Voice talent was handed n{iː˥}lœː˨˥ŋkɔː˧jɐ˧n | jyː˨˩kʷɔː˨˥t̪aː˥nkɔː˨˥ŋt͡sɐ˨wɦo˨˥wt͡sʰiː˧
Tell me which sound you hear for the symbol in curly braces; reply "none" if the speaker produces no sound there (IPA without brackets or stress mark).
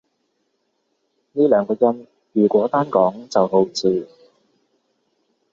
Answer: iː˥